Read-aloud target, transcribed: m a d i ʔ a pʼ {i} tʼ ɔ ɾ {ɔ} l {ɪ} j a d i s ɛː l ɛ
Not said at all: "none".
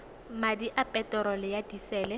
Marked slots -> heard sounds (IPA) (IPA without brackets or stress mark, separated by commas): ɛ, ɔ, ɪ